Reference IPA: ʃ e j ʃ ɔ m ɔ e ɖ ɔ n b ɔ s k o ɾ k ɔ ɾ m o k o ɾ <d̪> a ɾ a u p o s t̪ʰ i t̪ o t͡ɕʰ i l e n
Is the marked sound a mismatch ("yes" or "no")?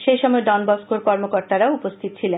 yes